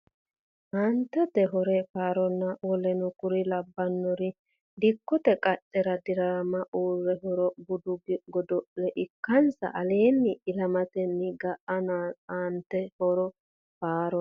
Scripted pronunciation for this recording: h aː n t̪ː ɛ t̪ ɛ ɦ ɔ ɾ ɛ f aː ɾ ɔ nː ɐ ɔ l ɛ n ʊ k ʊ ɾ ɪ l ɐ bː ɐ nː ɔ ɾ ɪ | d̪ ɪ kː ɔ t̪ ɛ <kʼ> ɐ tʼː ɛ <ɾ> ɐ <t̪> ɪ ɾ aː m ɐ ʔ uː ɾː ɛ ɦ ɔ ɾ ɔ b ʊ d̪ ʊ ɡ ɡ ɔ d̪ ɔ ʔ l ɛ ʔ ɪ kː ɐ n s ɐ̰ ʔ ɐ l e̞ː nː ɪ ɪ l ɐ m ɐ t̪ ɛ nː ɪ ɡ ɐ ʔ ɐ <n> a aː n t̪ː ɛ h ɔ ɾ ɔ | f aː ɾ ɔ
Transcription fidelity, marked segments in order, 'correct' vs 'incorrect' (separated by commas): correct, correct, incorrect, correct